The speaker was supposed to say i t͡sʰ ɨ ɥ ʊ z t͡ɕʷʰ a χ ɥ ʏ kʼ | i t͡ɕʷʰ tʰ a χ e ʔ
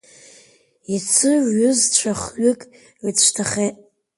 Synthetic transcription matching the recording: i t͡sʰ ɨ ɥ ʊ z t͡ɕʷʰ a χ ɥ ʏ kʼ | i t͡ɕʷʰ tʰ a χ e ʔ